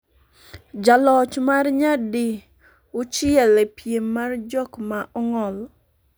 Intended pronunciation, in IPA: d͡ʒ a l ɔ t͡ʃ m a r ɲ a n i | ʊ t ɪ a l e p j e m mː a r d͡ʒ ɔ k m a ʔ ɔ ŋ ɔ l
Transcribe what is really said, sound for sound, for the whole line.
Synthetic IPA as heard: d͡ʒ a l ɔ t͡ʃ m a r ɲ a d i | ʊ t͡ʃ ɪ ɛ l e p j e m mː a r d͡ʒ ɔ k m a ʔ ɔ ŋ ɔ l